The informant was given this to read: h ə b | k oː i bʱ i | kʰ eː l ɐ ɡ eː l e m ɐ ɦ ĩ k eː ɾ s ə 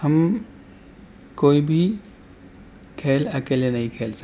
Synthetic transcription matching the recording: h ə m | k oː i bʱ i | kʰ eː l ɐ k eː l e n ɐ ɦ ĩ kʰ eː l s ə